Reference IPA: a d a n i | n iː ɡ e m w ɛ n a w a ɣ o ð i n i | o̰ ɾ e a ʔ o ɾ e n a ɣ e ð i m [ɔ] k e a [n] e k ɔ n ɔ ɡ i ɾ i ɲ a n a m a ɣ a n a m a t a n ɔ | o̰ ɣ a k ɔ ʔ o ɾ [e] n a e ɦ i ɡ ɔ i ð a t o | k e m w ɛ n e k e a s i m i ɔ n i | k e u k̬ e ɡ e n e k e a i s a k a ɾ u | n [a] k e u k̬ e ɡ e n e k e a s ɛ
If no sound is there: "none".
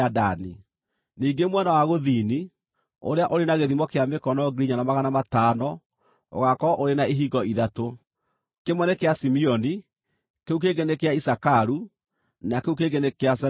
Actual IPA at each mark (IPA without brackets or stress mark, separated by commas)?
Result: ɔ, m, e, a